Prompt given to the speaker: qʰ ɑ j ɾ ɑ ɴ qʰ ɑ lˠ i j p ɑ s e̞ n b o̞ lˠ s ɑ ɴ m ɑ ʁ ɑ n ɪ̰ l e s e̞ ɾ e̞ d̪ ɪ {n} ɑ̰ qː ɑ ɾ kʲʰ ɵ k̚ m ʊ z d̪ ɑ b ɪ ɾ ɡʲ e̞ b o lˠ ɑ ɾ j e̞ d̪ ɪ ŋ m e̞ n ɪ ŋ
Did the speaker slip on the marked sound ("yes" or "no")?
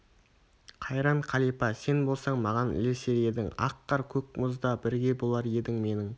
yes